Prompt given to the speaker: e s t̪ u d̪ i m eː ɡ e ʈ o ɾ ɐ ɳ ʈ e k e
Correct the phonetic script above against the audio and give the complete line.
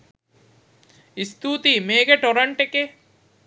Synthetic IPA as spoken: i s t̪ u t̪ i m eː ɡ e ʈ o ɾ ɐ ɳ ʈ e k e